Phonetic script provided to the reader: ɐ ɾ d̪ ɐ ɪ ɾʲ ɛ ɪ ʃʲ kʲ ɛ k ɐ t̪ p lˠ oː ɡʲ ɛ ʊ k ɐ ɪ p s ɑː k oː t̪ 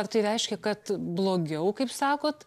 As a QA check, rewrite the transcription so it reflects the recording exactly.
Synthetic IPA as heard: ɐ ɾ t̪ ɐ ɪ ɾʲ ɛ ɪ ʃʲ kʲ ɛ k ɐ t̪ b lˠ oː ɡʲ ɛ ʊ k ɐ ɪ p s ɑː k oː t̪